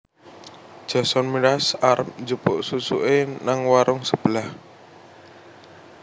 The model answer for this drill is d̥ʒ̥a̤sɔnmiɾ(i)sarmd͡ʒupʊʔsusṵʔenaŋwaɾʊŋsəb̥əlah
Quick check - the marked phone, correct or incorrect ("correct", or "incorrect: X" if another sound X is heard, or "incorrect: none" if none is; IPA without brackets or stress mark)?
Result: incorrect: a